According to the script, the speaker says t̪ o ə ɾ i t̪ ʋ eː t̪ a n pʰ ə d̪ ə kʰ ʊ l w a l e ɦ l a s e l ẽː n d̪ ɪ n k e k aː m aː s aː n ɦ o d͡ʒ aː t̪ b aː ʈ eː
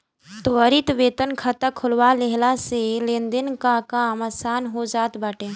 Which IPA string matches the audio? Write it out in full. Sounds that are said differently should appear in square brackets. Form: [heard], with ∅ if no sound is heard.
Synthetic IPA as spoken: t̪ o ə ɾ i t̪ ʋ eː t̪ [ə] n [kʰ] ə [t̪] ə kʰ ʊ l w a l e ɦ l a s e l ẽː n d̪ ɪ n k [a] k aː m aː s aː n ɦ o d͡ʒ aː t̪ b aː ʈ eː